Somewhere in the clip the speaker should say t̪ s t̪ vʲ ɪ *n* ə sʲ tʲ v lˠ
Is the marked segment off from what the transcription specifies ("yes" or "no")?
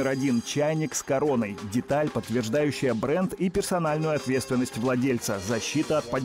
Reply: yes